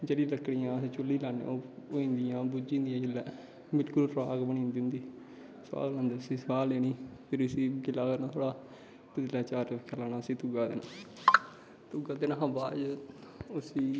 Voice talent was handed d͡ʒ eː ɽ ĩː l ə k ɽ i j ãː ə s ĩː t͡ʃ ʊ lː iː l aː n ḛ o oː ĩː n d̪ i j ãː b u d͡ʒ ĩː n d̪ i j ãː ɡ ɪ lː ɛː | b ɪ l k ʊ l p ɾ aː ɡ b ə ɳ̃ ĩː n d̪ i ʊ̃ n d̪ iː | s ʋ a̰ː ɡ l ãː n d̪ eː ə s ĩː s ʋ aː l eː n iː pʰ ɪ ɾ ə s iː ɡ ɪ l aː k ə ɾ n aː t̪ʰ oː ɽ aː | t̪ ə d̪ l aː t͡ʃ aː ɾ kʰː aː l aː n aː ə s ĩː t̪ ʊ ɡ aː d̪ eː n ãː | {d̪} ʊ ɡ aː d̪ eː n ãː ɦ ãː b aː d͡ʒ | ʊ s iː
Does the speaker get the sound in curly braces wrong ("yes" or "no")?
yes